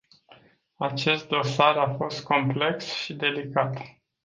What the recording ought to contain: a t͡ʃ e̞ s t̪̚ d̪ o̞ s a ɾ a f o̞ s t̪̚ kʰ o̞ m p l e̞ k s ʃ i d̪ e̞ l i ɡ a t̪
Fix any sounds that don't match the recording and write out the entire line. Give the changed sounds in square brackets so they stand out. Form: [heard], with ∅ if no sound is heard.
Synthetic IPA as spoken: a t͡ʃ e̞ s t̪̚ d̪ o̞ s a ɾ a f o̞ s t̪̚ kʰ o̞ m p l e̞ k s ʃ i d̪ e̞ l i [k] a t̪